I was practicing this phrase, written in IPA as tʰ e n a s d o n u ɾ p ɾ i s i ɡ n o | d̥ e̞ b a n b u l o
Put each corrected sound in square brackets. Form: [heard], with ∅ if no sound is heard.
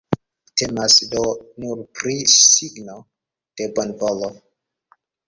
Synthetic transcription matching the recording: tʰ e [m] a s d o n u ɾ p ɾ i s i ɡ n o | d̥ e̞ b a n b [o] l o